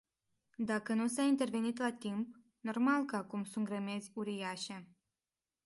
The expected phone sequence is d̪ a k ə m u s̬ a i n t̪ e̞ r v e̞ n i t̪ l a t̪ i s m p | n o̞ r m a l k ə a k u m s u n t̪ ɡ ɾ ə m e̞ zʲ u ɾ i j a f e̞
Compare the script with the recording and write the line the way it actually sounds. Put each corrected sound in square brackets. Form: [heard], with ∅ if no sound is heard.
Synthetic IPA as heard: d̪ a k ə [n] u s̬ a i n t̪ e̞ r v e̞ n i t̪ l a t̪ i [∅] m p | n o̞ r m a l k ə a k u m s u n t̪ ɡ ɾ ə m e̞ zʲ u ɾ i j a [ʃ] e̞